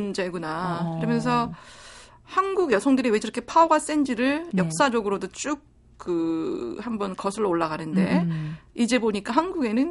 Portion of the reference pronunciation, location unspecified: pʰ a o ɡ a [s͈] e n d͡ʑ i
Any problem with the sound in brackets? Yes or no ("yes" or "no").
no